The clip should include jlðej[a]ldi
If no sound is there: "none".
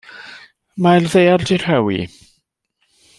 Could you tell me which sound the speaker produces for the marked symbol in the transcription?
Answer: a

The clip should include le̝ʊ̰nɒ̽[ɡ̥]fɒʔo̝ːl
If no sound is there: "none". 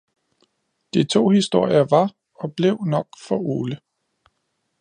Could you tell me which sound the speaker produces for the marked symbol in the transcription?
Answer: ɡ̥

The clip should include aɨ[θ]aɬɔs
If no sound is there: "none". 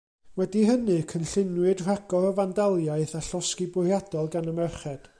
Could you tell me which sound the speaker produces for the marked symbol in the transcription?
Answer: θ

